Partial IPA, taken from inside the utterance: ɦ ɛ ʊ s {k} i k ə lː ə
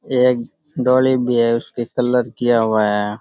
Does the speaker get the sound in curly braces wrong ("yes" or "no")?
no